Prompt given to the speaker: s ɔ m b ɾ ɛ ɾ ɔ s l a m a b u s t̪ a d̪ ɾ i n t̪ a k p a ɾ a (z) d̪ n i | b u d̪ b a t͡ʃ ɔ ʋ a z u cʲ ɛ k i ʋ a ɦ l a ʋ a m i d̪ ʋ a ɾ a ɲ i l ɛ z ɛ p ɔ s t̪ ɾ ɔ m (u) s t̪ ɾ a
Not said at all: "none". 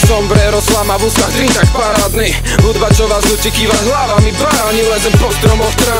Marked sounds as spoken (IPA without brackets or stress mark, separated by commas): none, ɔ